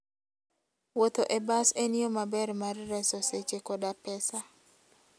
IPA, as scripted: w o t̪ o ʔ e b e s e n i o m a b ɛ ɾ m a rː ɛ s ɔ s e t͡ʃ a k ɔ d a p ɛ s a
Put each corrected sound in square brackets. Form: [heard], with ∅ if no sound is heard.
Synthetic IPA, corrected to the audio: w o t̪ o ʔ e b [a] s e n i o m a b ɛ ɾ m a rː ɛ s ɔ s e t͡ʃ [e] k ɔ d a p ɛ s a